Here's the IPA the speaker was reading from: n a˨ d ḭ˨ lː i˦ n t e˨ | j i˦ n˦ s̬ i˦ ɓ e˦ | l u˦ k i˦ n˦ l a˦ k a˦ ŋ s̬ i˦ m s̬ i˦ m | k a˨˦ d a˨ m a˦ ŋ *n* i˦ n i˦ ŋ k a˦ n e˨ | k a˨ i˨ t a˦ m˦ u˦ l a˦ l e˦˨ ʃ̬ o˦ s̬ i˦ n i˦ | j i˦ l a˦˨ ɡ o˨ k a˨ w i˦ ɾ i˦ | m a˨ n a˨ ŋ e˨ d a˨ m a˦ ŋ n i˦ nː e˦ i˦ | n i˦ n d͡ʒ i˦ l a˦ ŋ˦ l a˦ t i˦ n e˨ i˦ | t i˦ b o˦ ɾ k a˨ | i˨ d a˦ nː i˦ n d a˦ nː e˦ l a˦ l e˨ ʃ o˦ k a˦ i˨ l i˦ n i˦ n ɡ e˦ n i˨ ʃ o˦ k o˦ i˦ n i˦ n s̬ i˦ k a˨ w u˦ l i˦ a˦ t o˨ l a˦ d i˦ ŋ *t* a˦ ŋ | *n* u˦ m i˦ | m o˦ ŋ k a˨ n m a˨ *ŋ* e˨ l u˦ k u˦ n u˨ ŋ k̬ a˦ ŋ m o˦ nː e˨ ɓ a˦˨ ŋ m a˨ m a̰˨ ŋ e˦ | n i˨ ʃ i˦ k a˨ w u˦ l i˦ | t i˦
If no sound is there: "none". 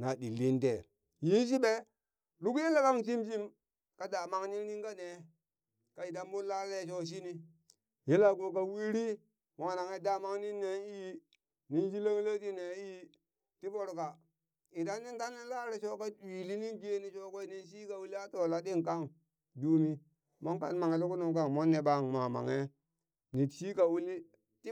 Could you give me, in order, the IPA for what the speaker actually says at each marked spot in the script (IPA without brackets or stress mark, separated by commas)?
n, k, d, ŋ